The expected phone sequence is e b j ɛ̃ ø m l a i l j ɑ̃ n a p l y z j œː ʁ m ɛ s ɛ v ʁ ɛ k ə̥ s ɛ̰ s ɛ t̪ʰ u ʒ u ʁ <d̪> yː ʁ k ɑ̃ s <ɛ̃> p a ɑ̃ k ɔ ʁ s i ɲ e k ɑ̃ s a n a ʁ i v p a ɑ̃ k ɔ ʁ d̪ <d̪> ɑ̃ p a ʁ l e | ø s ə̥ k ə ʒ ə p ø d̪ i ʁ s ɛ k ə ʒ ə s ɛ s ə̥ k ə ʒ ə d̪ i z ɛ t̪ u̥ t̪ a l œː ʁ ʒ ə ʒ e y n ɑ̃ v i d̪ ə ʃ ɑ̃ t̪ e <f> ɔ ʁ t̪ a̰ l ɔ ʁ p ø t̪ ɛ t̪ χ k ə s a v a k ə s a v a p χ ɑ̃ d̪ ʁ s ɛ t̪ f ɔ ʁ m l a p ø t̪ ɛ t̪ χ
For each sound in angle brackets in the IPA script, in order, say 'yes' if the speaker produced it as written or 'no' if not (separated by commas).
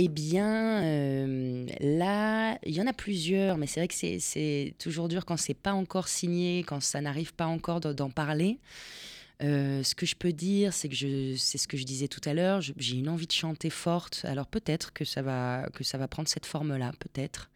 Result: yes, no, yes, yes